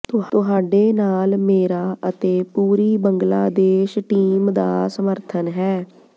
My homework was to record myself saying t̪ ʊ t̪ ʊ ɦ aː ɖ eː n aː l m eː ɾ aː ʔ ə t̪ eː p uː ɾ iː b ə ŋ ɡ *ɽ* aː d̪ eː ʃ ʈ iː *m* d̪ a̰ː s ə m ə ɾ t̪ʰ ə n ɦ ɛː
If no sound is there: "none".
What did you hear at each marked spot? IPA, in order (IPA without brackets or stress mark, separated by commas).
l, m